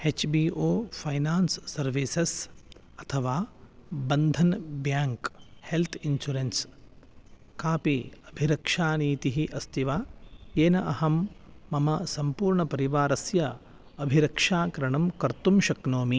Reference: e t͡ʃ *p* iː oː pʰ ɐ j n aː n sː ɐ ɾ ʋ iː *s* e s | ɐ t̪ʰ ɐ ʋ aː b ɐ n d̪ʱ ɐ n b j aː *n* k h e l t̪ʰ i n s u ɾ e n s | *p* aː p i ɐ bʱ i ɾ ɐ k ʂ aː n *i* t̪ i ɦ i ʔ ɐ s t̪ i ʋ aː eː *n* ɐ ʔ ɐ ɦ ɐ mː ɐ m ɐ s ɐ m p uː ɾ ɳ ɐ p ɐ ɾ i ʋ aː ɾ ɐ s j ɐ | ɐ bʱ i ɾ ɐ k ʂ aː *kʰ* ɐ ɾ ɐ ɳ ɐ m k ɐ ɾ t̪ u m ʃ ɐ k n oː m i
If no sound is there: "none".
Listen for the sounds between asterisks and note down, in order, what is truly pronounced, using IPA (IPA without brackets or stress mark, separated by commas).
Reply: b, s, ŋ, k, iː, n, k